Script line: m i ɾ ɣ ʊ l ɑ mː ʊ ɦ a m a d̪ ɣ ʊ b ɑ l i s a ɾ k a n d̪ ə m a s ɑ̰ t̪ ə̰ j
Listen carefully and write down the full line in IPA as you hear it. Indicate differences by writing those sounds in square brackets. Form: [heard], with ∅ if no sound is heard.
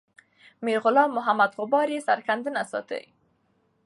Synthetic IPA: m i ɾ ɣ ʊ l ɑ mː ʊ ɦ a m a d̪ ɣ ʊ b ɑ [ɾ] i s a ɾ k a n d̪ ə [n] a s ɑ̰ t̪ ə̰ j